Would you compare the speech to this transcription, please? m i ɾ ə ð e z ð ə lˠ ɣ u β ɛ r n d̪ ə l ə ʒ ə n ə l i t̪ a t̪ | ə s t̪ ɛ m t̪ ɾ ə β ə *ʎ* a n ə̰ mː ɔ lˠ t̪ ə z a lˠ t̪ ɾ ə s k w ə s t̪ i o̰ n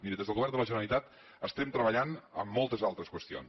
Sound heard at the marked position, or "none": ʎ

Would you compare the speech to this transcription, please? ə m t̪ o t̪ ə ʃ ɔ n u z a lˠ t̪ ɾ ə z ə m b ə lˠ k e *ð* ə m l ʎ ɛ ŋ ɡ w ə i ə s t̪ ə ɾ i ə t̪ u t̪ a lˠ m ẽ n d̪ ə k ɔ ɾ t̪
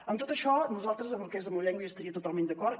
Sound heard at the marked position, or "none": z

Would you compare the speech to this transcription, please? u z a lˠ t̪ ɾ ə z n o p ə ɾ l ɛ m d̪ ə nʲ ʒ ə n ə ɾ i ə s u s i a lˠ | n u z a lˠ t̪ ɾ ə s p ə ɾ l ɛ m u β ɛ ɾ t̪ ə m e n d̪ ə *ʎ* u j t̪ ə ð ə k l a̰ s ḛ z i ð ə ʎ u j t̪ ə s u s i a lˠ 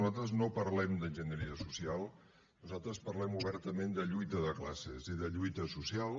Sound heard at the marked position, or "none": ʎ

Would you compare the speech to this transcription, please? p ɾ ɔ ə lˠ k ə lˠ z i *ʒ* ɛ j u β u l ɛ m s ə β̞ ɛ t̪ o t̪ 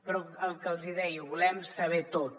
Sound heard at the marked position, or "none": ð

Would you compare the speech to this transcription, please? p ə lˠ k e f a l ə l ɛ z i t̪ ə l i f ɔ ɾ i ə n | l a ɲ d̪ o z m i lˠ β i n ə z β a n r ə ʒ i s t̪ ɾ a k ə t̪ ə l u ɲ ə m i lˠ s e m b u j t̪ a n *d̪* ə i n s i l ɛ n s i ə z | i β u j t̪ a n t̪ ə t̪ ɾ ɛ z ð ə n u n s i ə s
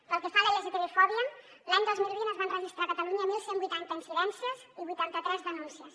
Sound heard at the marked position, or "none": t̪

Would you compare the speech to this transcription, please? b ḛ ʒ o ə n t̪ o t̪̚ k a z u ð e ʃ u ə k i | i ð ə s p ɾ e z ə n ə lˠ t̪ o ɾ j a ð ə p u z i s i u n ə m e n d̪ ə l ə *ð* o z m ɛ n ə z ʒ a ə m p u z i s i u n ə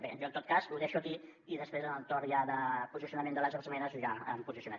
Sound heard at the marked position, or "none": z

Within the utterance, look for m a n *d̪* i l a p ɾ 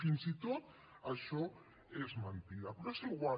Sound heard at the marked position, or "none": t̪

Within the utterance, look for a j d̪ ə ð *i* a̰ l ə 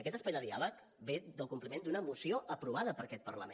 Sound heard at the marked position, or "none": i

